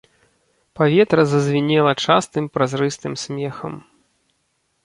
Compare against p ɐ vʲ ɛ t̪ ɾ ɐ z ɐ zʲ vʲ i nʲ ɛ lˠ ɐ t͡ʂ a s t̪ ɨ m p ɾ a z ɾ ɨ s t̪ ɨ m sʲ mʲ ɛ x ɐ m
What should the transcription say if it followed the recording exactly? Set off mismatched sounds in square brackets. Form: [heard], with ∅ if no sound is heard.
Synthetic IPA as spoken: p [a] vʲ ɛ t̪ ɾ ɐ z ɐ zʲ vʲ i nʲ ɛ lˠ ɐ t͡ʂ a s t̪ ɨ m p ɾ a z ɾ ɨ s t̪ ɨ m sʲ mʲ ɛ x ɐ m